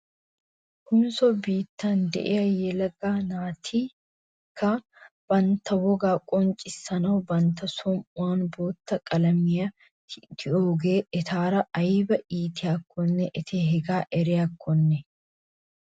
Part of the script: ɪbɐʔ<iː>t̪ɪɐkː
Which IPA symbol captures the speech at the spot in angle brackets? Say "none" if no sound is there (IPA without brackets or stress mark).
iː